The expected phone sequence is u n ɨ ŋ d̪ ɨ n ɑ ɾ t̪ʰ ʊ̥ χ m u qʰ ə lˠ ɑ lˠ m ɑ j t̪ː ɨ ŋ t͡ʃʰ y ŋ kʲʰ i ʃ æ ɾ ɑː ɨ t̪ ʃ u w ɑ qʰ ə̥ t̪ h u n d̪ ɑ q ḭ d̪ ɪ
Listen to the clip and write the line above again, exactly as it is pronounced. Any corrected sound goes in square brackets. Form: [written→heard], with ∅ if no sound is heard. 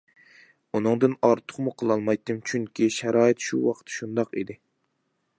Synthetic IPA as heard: u n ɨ ŋ d̪ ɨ n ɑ ɾ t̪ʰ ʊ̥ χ m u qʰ ə lˠ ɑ lˠ m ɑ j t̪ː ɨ [ŋ→m] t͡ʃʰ y ŋ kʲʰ i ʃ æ ɾ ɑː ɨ t̪ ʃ u w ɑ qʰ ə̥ t̪ [h→ʃ] u n d̪ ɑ q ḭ d̪ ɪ